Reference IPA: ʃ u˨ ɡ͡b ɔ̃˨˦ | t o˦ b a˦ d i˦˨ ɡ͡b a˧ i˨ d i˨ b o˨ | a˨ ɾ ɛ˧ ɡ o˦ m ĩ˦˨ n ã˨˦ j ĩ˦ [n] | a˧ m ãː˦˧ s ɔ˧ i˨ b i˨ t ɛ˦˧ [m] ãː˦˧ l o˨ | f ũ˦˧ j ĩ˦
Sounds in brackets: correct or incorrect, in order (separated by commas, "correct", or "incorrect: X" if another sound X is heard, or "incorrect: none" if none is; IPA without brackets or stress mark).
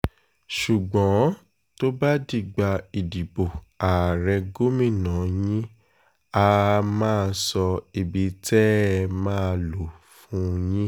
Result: incorrect: none, correct